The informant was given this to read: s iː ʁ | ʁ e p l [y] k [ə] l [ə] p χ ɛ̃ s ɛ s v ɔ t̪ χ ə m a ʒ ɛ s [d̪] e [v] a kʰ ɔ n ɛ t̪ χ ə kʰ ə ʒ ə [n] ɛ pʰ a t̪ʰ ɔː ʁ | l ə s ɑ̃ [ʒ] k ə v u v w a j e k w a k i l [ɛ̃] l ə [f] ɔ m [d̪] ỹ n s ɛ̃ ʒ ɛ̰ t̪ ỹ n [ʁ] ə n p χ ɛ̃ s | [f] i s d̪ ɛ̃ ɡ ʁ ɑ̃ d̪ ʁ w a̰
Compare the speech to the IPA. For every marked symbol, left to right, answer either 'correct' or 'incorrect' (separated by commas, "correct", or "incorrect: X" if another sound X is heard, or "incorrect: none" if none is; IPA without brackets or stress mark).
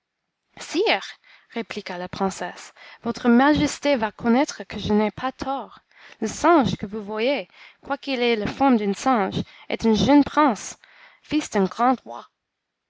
incorrect: i, incorrect: a, incorrect: a, incorrect: t̪, correct, correct, correct, incorrect: ɛ, correct, correct, incorrect: ʒ, correct